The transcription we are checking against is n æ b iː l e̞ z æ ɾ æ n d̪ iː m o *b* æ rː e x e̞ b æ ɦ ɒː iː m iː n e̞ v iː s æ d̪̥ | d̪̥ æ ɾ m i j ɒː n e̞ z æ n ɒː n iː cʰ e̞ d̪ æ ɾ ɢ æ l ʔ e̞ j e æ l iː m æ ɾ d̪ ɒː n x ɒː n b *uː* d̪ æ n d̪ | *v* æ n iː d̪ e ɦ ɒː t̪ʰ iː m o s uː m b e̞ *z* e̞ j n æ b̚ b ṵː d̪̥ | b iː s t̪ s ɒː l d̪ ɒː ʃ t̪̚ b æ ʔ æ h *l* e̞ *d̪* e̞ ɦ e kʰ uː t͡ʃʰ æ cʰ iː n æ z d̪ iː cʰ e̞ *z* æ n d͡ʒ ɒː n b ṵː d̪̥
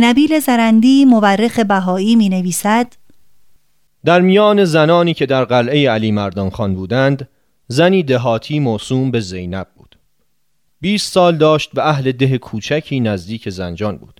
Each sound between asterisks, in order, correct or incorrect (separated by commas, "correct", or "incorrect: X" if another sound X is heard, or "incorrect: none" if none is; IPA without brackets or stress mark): incorrect: v, correct, incorrect: z, correct, correct, correct, correct